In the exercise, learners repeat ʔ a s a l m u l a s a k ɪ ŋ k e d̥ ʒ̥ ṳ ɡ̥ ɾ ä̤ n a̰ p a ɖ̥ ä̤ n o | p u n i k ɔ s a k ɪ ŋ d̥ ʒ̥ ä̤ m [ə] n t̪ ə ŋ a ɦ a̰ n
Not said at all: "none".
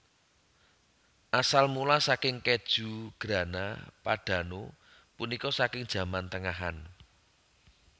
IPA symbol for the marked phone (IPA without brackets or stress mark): a